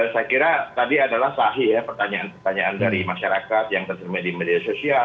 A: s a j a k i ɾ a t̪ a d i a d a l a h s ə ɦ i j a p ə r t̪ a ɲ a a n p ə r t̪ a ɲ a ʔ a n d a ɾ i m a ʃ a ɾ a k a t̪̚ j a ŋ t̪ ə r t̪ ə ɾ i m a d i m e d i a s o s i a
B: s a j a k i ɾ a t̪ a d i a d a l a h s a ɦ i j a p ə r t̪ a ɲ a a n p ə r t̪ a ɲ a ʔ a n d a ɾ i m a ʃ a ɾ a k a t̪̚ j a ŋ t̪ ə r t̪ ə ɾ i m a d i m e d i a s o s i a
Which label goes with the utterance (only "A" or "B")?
B